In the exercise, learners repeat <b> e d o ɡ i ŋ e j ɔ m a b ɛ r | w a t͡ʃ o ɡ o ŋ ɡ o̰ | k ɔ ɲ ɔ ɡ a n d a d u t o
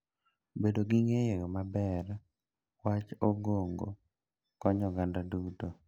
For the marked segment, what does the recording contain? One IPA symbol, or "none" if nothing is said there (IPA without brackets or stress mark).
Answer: b